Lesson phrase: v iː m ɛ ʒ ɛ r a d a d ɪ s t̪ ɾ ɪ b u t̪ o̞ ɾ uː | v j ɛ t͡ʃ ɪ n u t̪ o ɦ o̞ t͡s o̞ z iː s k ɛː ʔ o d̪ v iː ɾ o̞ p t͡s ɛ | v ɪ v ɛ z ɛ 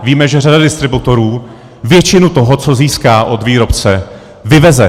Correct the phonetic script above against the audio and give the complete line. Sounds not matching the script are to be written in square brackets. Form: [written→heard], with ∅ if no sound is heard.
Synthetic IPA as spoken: v iː m ɛ ʒ ɛ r a d a d ɪ s t̪ ɾ ɪ b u t̪ o̞ ɾ uː | v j ɛ t͡ʃ ɪ n u t̪ o ɦ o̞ t͡s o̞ z iː s k [ɛː→aː] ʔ o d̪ v iː ɾ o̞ p t͡s ɛ | v ɪ v ɛ z ɛ